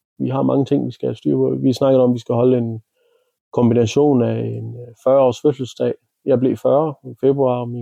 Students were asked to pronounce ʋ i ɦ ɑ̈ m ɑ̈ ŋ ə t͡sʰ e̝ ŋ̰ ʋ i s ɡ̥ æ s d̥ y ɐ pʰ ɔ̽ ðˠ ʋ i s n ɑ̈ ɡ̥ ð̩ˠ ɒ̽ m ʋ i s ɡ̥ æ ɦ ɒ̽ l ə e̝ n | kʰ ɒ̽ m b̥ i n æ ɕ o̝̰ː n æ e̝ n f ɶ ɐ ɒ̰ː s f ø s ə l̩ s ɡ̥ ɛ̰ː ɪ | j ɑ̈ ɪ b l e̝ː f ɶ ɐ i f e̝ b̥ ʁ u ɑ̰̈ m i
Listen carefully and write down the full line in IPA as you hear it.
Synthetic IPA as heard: ʋ i ɦ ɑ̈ m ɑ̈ ŋ ə t͡sʰ e̝ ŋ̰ ʋ i s ɡ̥ æ s d̥ y ɐ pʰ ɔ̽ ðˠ ʋ i s n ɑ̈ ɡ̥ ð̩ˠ ɒ̽ m ʋ i s ɡ̥ æ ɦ ɒ̽ l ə e̝ n | kʰ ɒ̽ m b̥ i n æ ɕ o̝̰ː n æ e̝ n f ɶ ɐ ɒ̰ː s f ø s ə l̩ s d̥ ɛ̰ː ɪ | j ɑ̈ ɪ b l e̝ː f ɶ ɐ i f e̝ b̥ ʁ u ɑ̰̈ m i